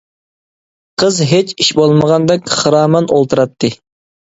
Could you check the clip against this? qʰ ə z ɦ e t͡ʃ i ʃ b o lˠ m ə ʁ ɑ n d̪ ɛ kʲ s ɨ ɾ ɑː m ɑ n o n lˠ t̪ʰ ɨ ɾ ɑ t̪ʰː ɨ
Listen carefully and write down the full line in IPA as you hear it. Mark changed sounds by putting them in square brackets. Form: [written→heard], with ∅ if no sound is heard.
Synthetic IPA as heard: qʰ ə z ɦ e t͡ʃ i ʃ b o lˠ m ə ʁ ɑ n d̪ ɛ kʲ [s→χ] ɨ ɾ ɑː m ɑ n o [n→∅] lˠ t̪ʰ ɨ ɾ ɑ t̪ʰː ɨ